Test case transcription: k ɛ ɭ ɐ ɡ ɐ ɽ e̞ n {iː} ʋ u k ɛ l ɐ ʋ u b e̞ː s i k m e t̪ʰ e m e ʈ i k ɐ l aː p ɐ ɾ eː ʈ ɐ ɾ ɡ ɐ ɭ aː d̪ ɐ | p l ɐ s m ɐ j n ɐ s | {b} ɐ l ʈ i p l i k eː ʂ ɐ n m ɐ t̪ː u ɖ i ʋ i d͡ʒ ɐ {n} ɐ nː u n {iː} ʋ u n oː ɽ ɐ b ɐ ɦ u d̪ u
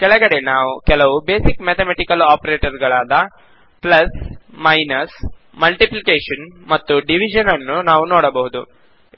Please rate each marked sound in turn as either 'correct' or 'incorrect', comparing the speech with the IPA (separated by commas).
incorrect, incorrect, correct, incorrect